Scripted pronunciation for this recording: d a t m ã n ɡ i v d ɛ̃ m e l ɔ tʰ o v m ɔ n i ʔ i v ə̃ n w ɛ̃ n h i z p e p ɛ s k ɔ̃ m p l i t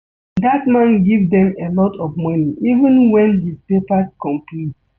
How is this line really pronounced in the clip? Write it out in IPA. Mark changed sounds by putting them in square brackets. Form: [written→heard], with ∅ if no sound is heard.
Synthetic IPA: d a t m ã n ɡ i v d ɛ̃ m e l ɔ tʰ [o→ɔ] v m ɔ n i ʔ i v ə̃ n w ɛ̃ n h i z p e p [ɛ→a] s k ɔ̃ m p l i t